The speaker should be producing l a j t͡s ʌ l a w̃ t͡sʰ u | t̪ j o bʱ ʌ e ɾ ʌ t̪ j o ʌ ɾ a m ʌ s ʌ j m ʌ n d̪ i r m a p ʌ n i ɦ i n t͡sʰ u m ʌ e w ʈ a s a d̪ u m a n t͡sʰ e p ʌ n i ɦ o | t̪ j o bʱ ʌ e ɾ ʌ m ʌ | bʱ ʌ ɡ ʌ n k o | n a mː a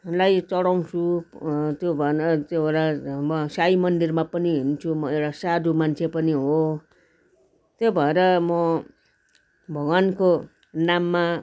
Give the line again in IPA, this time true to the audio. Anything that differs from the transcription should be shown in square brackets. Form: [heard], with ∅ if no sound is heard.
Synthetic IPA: l a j t͡s ʌ [ɽ] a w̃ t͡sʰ u | t̪ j o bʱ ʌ e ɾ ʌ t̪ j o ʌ ɾ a m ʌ s [a] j m ʌ n d̪ i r m a p ʌ n i ɦ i n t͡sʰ u m ʌ e w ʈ a s a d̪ u m a n t͡sʰ e p ʌ n i ɦ o | t̪ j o bʱ ʌ e ɾ ʌ m ʌ | bʱ ʌ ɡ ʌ n k o | n a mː a